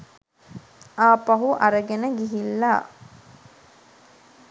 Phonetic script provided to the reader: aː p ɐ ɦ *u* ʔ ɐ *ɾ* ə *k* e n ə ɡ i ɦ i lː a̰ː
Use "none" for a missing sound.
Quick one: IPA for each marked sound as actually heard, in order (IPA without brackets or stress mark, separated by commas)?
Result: u, ɾ, ɡ